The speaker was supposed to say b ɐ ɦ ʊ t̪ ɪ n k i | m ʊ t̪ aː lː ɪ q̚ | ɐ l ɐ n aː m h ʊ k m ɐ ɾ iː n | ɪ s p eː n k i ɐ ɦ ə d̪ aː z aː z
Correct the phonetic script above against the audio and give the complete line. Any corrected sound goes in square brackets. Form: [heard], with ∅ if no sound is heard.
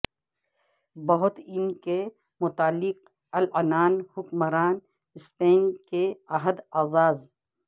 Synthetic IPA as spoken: b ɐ ɦ ʊ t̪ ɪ n k [e] | m ʊ t̪ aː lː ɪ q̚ | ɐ l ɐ n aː [n] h ʊ k m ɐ ɾ [aː] n | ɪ s p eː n k [e] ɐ ɦ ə d̪ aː z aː z